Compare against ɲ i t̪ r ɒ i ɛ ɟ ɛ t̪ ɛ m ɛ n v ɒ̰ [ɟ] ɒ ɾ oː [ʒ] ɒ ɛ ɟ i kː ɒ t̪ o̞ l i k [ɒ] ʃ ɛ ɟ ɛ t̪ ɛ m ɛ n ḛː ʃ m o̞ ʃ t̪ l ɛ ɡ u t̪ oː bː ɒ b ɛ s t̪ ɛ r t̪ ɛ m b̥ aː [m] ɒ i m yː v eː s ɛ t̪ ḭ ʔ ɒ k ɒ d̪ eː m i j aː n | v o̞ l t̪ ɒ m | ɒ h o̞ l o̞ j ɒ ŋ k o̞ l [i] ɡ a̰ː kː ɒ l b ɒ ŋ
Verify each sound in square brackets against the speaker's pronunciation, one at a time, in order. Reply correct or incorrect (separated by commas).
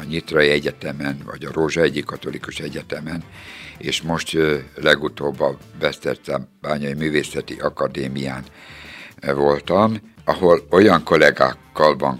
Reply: correct, correct, incorrect, incorrect, incorrect